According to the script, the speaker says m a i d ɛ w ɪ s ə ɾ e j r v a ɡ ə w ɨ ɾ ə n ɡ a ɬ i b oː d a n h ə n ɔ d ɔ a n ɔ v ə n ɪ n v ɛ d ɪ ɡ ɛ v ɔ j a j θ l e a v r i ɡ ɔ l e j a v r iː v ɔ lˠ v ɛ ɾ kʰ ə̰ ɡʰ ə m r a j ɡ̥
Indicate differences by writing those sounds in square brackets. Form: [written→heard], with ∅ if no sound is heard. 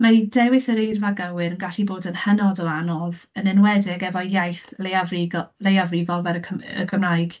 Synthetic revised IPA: m a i d ɛ w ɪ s ə ɾ e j r v a ɡ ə w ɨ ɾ ə n ɡ a ɬ i b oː d [a→ə] n h ə n ɔ d ɔ a n ɔ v ə n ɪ n [v→w] ɛ d ɪ ɡ ɛ v ɔ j a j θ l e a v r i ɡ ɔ l e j a v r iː v ɔ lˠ v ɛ ɾ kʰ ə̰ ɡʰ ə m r a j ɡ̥